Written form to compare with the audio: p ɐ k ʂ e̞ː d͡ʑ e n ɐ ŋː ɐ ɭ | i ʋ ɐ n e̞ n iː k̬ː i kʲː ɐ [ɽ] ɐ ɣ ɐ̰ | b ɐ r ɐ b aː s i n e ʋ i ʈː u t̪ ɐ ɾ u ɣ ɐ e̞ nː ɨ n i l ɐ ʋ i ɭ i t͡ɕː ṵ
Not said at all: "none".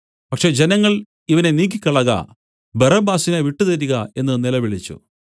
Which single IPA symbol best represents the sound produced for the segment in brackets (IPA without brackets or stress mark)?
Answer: ɭ